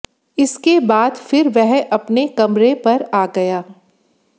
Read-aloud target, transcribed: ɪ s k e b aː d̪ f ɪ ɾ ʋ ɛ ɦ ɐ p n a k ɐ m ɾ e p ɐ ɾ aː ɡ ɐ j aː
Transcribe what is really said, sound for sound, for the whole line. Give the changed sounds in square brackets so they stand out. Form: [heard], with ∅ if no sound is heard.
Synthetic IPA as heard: ɪ s k e b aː d̪ f ɪ ɾ ʋ ɛ ɦ ɐ p n [e] k ɐ m ɾ e p ɐ ɾ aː ɡ ɐ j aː